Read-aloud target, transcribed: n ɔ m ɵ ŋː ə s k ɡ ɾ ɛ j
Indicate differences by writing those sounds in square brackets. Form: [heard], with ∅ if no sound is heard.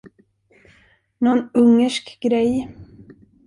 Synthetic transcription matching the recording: n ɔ [n] ɵ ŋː ə [ʂ] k ɡ ɾ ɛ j